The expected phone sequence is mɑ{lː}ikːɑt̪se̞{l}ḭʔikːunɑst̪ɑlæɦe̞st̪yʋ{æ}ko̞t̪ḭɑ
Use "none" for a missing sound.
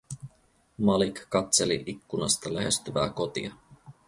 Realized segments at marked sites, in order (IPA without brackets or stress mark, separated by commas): l, l, æː